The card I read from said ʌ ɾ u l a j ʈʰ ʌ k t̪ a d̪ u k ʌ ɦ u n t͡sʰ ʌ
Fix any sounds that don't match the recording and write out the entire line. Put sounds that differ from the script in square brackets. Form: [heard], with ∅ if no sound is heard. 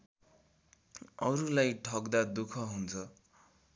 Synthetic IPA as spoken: ʌ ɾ u l a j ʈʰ ʌ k [d̪] a d̪ u [kʰ] ʌ ɦ u n t͡sʰ ʌ